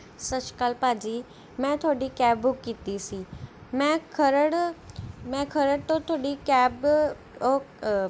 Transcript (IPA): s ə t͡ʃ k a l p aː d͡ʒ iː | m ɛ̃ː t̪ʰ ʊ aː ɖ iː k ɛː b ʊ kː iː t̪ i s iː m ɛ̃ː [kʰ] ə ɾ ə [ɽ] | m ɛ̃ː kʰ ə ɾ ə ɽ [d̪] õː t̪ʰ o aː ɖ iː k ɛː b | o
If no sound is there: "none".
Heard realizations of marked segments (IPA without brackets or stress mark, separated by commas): kʰ, ɽ, t̪